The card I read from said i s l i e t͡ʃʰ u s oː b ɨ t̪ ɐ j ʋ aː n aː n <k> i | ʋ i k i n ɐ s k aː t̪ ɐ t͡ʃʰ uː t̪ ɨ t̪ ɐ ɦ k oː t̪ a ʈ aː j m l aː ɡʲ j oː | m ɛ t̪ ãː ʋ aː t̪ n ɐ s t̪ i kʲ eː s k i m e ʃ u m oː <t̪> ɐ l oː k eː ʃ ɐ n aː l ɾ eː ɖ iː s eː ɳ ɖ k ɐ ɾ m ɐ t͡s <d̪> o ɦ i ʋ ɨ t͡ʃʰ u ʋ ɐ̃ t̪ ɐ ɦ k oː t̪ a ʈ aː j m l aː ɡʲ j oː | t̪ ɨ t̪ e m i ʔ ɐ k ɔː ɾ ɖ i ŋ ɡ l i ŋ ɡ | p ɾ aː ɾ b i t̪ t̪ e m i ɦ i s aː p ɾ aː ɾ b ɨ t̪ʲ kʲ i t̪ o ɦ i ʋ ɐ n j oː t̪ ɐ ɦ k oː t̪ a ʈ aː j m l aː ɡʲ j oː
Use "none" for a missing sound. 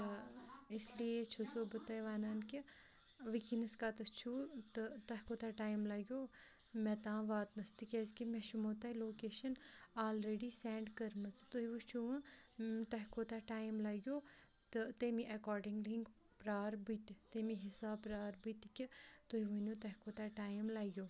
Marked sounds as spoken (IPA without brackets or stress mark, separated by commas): k, t̪, t̪